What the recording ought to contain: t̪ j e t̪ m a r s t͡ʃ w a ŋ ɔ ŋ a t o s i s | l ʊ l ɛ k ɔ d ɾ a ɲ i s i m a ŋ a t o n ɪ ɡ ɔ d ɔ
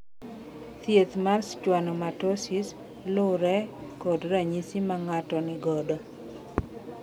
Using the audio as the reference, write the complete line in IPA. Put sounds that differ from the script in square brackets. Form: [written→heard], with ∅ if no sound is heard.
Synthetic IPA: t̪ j e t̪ m a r s t͡ʃ w a [ŋ→n] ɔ [ŋ→m] a t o s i s | l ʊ [l→ɾ] ɛ k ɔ d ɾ a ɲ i s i m a ŋ a t [o→ɔ] n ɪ ɡ ɔ d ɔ